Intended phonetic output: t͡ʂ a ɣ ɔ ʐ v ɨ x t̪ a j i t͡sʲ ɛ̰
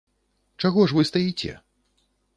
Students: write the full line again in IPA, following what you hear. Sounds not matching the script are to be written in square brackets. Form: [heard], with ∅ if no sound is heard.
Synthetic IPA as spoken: t͡ʂ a ɣ ɔ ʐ v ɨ [s] t̪ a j i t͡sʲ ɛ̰